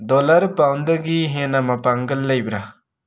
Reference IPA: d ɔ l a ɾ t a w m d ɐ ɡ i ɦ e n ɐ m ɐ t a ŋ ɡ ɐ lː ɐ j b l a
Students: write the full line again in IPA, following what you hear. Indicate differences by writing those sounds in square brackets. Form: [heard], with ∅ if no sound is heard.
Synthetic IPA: d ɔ l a ɾ [p] a w [n] d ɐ ɡ i ɦ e n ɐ m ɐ [p] a ŋ ɡ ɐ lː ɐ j b [ɾ] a